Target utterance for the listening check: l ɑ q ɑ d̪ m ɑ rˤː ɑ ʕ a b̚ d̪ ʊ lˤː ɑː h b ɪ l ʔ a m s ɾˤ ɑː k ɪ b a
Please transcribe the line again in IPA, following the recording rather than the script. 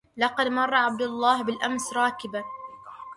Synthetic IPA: l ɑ q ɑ d̪ m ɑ rˤː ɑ ʕ a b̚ d̪ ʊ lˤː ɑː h b ɪ l ʔ a m s ɾˤ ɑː k ɪ b a